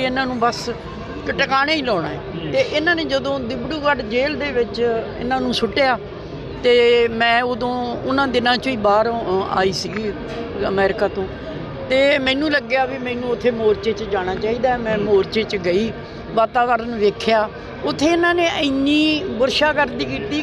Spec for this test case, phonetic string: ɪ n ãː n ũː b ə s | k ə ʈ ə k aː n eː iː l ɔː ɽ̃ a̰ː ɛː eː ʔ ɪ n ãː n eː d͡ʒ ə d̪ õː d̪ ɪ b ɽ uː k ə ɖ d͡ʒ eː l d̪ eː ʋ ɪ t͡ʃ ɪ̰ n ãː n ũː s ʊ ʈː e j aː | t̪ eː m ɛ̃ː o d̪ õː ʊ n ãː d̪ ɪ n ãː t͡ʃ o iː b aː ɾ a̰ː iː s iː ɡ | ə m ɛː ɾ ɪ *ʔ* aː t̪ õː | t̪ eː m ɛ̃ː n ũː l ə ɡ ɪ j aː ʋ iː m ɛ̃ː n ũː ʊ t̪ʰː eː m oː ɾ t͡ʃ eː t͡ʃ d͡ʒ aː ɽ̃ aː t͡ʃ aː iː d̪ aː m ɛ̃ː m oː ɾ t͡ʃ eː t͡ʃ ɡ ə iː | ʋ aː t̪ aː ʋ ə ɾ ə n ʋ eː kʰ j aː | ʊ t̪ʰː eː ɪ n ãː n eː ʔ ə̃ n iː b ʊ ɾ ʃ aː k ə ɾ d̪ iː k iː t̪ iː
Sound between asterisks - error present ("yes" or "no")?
yes